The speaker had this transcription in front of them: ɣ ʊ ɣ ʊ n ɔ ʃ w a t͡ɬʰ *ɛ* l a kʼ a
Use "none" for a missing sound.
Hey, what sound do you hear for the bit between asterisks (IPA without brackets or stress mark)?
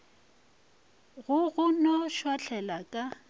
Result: ɛ